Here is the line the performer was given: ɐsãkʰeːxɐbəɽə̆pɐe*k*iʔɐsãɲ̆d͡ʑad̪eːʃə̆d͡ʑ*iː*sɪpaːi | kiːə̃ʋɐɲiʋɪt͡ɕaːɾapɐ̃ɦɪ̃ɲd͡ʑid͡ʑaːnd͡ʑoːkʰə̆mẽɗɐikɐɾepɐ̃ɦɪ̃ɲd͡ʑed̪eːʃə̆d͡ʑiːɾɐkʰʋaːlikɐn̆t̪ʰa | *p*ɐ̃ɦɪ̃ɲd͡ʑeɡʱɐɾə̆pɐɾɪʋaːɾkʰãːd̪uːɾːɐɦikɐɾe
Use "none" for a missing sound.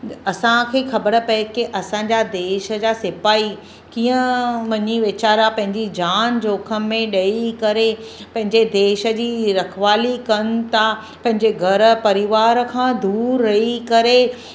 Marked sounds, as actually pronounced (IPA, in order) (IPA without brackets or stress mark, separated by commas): k, aː, p